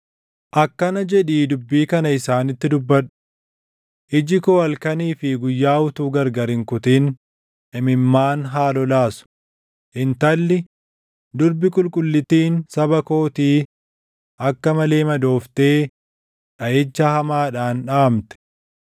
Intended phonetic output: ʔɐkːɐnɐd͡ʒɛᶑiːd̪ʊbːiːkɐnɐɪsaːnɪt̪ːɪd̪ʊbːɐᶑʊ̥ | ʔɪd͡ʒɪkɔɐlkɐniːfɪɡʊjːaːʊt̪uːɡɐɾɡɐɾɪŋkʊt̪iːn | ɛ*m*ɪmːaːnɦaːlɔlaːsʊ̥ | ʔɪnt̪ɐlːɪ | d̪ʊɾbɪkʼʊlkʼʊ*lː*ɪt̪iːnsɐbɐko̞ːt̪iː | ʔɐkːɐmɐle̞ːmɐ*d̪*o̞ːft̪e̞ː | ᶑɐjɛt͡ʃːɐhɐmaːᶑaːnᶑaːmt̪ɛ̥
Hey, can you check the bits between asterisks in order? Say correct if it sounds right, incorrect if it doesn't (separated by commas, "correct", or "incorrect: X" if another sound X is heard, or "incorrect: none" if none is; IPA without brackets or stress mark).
correct, correct, correct